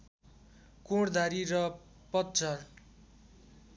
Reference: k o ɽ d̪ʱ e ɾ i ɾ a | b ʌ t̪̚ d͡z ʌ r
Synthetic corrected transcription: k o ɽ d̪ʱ a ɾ i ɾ ʌ | p ʌ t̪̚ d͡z ʌ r